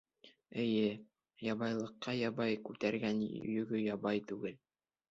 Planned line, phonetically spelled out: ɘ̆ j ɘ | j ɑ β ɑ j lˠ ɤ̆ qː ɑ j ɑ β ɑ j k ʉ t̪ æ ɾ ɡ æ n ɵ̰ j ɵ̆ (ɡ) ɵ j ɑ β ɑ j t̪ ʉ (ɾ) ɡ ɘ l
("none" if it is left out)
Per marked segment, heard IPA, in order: ɡ, none

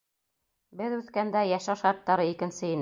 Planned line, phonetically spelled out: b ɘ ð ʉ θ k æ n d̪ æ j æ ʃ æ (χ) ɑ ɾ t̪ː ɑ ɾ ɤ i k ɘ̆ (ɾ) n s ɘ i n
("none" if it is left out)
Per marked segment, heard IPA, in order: ʃ, none

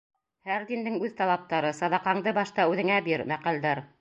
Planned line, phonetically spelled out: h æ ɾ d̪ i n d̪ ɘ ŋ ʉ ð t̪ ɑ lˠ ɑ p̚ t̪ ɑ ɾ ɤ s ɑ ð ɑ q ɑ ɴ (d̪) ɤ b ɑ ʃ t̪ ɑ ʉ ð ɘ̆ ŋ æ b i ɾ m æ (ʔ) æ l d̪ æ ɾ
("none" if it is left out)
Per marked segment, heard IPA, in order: d̪, q

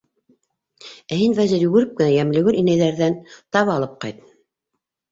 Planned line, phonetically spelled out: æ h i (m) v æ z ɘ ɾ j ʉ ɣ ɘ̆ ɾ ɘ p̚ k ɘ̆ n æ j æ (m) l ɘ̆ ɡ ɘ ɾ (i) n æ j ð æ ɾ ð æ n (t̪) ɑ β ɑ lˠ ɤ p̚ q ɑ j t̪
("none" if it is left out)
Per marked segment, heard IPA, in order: n, m, i, t̪

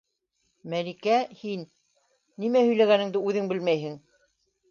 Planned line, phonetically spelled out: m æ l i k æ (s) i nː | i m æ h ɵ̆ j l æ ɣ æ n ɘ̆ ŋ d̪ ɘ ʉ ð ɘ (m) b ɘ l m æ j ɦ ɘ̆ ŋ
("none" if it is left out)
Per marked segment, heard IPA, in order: h, ŋ

